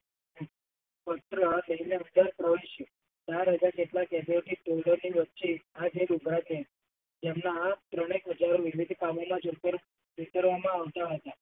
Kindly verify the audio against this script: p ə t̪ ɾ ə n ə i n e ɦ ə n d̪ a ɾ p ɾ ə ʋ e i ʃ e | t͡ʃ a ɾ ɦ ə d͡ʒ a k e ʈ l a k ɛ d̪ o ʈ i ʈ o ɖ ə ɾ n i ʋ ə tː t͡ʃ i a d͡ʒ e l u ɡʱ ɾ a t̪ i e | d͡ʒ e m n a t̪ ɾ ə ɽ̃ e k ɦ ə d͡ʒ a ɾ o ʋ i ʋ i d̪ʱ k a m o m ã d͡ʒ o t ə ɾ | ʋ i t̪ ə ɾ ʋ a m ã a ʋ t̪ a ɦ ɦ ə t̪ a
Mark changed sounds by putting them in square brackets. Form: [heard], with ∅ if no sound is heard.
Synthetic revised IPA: p ə t̪ ɾ ə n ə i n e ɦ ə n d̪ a ɾ p ɾ ə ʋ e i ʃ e | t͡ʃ a ɾ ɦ ə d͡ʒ a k e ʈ l a k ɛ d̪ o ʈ i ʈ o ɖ ə ɾ n i ʋ ə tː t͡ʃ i a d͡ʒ e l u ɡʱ ɾ a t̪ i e | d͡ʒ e m n a t̪ ɾ ə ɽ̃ e k ɦ ə d͡ʒ a ɾ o ʋ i ʋ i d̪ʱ k a m o m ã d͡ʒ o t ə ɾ | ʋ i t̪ ə ɾ ʋ a m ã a ʋ t̪ a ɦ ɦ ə t̪ a